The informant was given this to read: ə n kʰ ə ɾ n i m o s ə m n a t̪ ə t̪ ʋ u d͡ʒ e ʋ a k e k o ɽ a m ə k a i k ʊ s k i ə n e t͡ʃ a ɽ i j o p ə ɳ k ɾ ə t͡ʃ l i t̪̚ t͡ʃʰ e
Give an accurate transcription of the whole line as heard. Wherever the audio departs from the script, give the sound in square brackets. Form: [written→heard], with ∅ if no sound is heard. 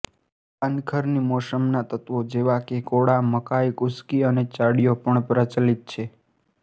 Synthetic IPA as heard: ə n kʰ ə ɾ n i m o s ə m n a t̪ ə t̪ ʋ [u→o] d͡ʒ e ʋ a k e k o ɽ a m ə k a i k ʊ s k i ə n e t͡ʃ a ɽ i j o p ə ɳ [k→p] ɾ ə t͡ʃ l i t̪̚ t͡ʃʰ e